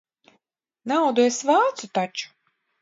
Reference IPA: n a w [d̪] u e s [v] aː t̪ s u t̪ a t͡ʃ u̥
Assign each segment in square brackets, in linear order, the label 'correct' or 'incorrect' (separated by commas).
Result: correct, correct